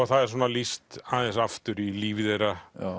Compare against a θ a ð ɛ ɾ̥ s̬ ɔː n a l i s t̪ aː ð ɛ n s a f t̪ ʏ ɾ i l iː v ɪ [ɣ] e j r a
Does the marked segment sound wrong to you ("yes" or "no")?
yes